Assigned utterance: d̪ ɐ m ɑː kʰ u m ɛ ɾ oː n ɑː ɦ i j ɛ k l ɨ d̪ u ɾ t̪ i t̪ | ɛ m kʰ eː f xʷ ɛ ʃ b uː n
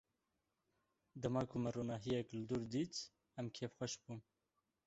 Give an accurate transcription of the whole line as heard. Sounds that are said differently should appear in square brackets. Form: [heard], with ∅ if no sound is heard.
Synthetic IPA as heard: d̪ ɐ m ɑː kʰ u m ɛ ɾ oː n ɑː ɦ i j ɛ k l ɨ d̪ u ɾ [d̪] i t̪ | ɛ m kʰ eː f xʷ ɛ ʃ b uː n